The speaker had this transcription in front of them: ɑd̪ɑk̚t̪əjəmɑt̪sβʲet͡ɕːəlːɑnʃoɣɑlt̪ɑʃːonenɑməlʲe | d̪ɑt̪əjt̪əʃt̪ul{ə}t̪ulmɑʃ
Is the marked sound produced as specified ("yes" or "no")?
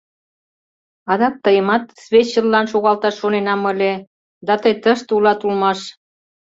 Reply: no